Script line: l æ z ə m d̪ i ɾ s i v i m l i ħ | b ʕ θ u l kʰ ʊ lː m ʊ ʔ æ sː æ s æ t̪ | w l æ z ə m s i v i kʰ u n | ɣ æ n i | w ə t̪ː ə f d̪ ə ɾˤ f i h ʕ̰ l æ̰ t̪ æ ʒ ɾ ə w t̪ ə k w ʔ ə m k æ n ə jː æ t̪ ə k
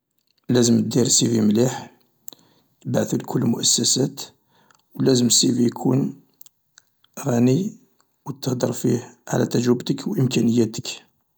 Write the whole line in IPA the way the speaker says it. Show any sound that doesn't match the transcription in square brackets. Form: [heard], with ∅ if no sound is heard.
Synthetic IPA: l æ z ə m d̪ i ɾ s i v i m l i ħ | b ʕ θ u l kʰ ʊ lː m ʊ ʔ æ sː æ s æ t̪ | w l æ z ə m s i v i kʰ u n | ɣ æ n i | w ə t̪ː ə [h] d̪ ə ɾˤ f i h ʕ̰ l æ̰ t̪ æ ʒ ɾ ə [b] t̪ ə k w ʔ ə m k æ n ə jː æ t̪ ə k